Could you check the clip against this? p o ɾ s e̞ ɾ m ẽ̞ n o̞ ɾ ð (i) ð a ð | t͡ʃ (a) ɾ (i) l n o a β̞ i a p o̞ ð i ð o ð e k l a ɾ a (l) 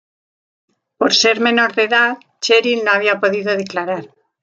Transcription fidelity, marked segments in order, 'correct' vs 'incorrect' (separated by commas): incorrect, incorrect, correct, incorrect